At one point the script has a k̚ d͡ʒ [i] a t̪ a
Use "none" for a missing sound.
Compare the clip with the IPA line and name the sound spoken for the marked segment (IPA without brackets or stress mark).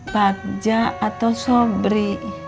a